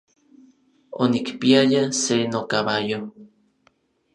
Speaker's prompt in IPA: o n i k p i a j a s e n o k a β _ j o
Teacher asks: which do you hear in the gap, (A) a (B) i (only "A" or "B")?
A